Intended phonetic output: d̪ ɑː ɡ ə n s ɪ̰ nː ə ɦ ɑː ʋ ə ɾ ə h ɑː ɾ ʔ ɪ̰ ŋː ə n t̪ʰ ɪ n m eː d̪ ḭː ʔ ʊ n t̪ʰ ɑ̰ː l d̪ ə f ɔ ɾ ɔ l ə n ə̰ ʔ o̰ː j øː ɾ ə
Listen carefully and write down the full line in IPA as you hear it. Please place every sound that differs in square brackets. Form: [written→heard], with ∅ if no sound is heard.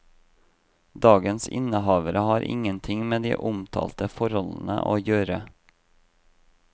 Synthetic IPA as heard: d̪ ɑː ɡ ə n s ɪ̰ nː ə ɦ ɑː ʋ ə ɾ ə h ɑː ɾ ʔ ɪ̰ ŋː ə n t̪ʰ ɪ [n→ŋ] m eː d̪ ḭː ʔ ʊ [n→m] t̪ʰ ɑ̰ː l [d̪→t̪] ə f ɔ ɾ ɔ l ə n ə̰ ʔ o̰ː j øː ɾ ə

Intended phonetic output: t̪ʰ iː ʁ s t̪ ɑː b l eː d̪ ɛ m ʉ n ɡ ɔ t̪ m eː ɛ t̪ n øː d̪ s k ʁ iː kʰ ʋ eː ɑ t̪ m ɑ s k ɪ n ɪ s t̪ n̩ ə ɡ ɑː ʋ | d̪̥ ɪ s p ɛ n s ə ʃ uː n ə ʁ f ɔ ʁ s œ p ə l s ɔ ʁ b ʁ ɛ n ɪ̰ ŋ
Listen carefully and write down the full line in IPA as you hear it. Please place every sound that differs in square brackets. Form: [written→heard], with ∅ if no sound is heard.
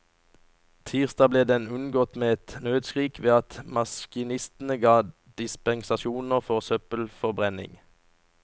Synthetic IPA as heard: t̪ʰ iː ʁ s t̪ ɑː b l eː d̪ ɛ [m→n] ʉ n ɡ ɔ t̪ m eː ɛ t̪ n øː d̪ s k ʁ iː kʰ ʋ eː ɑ t̪ m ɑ s k ɪ n ɪ s t̪ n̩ ə ɡ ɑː [ʋ→∅] | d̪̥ ɪ s p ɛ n s [ə→ɑ] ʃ uː n ə ʁ f ɔ ʁ s œ p ə l [s→f] ɔ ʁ b ʁ ɛ n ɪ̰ ŋ

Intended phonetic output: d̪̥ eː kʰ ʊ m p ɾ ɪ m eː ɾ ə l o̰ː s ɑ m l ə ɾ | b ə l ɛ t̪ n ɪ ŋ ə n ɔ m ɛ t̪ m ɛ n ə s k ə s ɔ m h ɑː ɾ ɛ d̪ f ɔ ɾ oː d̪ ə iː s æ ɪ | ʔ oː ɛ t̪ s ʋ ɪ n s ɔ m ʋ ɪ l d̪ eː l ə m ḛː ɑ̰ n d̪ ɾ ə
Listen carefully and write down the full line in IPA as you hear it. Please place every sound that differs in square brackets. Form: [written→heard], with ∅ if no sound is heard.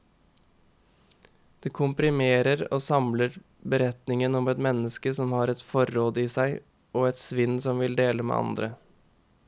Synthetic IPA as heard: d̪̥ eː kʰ ʊ m p ɾ ɪ m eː ɾ ə [l→ɾ] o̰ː s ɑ m l ə ɾ | b ə [l→ɾ] ɛ t̪ n ɪ ŋ ə n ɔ m ɛ t̪ m ɛ n ə s k ə s ɔ m h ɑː ɾ ɛ [d̪→t̪] f ɔ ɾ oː d̪ ə iː s æ ɪ | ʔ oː ɛ t̪ s ʋ ɪ n s ɔ m ʋ ɪ l d̪ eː l ə m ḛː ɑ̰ n d̪ ɾ ə

